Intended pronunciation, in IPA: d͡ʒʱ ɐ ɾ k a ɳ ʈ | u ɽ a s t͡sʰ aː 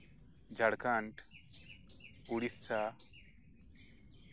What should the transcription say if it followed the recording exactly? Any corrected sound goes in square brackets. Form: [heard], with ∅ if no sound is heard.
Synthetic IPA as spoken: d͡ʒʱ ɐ [ɽ] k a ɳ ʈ | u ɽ [i] s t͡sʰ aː

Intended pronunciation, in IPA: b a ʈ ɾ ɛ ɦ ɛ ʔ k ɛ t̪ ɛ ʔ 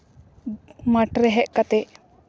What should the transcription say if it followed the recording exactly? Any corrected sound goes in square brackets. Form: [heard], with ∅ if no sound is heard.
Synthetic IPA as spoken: [m] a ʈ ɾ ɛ ɦ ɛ ʔ k [a] t̪ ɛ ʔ

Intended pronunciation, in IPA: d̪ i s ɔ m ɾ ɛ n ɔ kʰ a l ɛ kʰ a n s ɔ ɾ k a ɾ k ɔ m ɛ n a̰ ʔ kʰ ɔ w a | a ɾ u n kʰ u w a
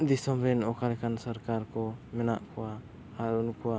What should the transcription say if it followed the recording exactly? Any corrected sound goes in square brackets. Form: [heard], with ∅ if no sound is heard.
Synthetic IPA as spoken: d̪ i s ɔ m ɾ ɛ n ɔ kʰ a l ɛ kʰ a n s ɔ ɾ k a ɾ k ɔ m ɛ n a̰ ʔ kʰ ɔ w a | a ɾ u n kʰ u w a

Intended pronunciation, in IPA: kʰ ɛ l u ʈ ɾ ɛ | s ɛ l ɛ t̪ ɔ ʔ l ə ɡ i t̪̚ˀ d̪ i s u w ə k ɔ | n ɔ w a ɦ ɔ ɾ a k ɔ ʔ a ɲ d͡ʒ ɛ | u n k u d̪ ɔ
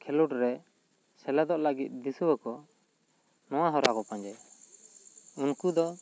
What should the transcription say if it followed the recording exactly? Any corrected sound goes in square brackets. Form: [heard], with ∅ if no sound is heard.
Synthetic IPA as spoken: kʰ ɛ l u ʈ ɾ ɛ | s ɛ l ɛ [d̪] ɔ ʔ l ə ɡ i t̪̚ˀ d̪ i s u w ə k ɔ | n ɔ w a ɦ ɔ ɾ a k ɔ [p] a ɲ d͡ʒ ɛ | u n k u d̪ ɔ

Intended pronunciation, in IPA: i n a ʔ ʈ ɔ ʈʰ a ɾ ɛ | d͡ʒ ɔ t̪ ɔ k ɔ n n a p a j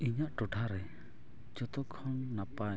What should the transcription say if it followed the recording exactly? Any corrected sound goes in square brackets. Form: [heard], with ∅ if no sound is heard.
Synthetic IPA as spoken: i [ɲ] a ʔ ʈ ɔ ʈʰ a ɾ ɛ | d͡ʒ ɔ t̪ ɔ [kʰ] ɔ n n a p a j

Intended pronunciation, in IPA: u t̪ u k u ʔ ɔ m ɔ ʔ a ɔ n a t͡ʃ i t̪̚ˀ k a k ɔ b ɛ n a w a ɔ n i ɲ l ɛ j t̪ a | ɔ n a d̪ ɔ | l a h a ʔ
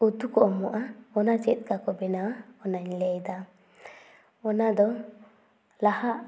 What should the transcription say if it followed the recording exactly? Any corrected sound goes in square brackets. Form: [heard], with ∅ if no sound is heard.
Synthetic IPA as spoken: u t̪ u k [ɔ] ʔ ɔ m ɔ ʔ a ɔ n a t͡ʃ [ɛ] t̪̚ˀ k a k ɔ b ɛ n a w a ɔ n [a] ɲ l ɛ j [d̪] a | ɔ n a d̪ ɔ | l a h a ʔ

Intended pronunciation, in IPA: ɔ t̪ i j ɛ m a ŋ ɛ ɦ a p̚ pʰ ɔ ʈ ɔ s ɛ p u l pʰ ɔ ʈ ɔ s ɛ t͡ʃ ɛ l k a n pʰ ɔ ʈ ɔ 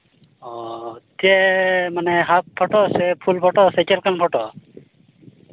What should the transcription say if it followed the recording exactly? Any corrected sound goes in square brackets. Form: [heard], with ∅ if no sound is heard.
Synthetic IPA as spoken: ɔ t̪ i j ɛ m a [n] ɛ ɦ a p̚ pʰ ɔ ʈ ɔ s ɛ [pʰ] u l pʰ ɔ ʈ ɔ s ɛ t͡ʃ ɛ l k a n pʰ ɔ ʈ ɔ

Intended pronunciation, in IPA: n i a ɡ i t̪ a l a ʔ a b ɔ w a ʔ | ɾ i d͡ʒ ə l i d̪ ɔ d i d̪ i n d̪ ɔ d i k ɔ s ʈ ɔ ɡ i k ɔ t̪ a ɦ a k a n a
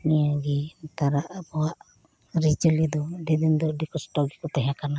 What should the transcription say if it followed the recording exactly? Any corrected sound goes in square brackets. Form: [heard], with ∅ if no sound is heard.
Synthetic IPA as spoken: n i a ɡ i t̪ a [ɾ] a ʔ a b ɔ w a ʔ | ɾ i d͡ʒ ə l i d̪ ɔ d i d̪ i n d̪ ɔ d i k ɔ s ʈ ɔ ɡ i k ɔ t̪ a ɦ a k a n a

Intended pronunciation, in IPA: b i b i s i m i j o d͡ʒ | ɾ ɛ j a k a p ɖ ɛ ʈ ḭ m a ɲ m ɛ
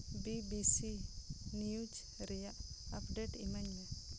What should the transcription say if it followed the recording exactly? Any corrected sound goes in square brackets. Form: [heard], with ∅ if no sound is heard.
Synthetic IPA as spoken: b i b i s i [n] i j [u] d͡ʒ | ɾ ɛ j a [ʔ] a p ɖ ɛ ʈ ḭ m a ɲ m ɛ

